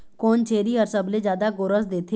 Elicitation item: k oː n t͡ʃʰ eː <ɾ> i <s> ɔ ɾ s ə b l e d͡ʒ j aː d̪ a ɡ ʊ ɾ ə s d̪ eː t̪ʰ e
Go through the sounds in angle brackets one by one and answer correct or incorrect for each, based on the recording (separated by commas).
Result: correct, incorrect